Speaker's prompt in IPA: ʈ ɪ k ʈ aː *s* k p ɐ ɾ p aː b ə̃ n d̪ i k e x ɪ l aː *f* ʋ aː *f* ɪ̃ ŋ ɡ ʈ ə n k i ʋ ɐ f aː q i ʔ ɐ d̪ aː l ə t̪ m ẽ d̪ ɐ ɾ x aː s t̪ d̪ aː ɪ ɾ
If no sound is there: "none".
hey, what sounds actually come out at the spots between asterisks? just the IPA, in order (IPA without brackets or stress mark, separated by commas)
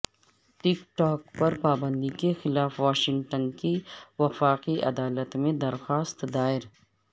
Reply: none, f, ʃ